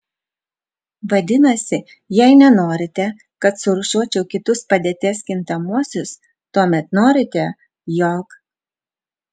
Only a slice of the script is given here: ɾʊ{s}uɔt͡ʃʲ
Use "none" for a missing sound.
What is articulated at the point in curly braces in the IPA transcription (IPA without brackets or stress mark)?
ʃ